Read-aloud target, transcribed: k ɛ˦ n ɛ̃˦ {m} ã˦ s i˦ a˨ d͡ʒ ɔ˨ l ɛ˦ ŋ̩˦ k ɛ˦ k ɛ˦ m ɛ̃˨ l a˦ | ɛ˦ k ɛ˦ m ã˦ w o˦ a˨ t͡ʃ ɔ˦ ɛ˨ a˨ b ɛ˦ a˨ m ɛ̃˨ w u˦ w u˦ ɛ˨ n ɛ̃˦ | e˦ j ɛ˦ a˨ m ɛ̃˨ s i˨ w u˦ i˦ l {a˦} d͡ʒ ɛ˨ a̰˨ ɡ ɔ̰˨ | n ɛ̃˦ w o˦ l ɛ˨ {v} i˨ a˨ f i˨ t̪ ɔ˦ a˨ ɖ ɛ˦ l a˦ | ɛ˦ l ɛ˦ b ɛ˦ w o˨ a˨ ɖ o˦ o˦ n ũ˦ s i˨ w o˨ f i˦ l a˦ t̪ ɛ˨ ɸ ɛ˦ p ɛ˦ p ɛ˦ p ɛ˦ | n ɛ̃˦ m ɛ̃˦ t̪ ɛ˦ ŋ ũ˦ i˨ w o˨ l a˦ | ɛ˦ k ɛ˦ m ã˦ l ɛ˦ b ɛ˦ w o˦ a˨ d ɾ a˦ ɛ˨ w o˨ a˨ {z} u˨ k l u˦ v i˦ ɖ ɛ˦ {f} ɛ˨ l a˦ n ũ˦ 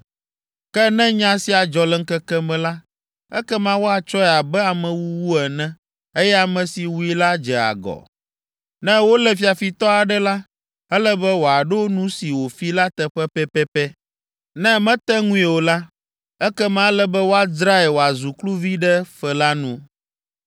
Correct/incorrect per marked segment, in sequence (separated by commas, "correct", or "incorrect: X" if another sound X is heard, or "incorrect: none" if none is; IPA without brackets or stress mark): incorrect: ɲ, correct, incorrect: f, correct, correct